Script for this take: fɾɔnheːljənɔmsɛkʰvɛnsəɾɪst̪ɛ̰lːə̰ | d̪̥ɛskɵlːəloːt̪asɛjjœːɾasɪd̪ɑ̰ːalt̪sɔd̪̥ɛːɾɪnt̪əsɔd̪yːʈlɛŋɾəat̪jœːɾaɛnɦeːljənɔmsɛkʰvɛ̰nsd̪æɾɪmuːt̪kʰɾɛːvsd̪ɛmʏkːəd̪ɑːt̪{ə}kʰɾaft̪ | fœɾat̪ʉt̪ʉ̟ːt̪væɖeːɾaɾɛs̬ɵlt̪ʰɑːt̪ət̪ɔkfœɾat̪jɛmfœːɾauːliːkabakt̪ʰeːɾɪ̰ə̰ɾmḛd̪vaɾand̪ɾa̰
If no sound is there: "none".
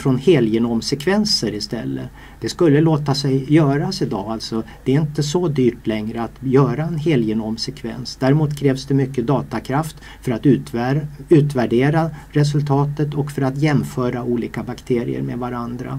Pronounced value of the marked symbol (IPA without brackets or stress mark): a